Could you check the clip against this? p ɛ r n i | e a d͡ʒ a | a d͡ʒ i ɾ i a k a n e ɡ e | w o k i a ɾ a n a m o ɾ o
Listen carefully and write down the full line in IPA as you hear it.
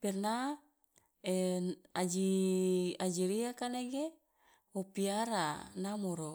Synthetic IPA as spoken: p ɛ r n a | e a d͡ʒ i | a d͡ʒ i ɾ i a k a n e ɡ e | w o p i a ɾ a n a m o ɾ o